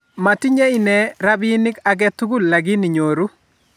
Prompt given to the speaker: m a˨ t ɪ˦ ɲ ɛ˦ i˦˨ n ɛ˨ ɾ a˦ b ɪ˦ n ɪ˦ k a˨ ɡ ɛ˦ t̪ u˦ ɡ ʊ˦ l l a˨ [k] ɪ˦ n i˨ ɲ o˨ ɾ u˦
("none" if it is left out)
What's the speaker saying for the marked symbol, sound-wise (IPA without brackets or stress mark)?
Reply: ɡ